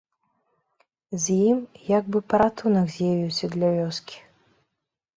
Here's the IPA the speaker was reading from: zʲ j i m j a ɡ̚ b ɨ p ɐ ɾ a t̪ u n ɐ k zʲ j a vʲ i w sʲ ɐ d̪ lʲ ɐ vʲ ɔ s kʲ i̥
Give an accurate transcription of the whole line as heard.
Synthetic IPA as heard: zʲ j i m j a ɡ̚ b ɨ p ɐ ɾ a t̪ u n ɐ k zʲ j a vʲ i w sʲ ɐ d̪ lʲ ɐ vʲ ɔ s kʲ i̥